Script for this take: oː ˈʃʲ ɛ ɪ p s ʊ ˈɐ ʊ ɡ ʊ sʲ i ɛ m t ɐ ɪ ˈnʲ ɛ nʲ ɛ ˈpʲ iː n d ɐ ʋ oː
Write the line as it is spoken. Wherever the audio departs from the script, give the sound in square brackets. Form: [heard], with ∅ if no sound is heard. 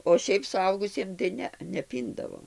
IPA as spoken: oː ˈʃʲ ɛ ɪ p s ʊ ˈɐ ʊ ɡ ʊ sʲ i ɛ m t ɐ ɪ ˈnʲ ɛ nʲ ɛ ˈpʲ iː n d ɐ ʋ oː